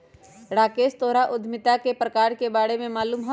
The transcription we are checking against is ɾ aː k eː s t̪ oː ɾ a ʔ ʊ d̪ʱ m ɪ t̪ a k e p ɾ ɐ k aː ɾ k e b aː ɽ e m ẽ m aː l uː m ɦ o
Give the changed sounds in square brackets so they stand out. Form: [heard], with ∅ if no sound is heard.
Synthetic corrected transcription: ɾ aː k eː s t̪ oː ɾ a ʔ ʊ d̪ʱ m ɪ t̪ a k e p ɾ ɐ k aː ɾ k e b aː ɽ e m ẽ m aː l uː m ɦ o